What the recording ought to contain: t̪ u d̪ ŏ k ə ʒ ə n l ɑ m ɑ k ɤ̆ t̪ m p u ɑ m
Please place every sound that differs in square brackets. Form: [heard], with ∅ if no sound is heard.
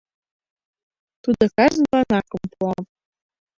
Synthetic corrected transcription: t̪ u d̪ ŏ k [ɑ] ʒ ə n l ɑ [n] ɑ k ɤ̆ [∅] m p u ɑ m